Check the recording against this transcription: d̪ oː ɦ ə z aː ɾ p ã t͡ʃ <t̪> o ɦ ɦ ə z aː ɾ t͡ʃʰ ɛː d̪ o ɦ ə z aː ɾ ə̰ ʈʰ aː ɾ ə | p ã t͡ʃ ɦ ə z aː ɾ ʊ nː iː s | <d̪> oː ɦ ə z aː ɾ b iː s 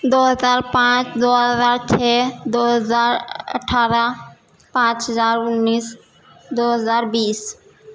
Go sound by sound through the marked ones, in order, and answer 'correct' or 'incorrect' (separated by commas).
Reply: incorrect, correct